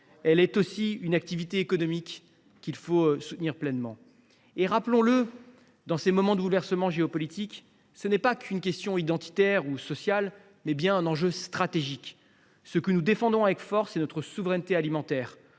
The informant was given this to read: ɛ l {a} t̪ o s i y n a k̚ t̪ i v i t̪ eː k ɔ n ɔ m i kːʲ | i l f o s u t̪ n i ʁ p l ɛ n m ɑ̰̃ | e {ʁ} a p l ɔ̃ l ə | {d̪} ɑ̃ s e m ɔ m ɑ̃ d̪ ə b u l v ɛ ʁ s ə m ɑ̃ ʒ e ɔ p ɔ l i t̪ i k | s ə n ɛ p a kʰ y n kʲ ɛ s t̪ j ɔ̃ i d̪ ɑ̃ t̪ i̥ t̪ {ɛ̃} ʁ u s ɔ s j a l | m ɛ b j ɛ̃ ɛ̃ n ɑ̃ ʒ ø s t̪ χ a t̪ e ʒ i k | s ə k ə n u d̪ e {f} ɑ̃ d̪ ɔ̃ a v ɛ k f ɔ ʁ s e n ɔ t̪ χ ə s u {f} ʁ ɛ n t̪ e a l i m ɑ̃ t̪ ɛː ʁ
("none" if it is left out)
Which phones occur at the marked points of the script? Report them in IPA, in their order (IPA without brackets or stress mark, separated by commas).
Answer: ɛ, ʁ, d̪, ɛ, f, v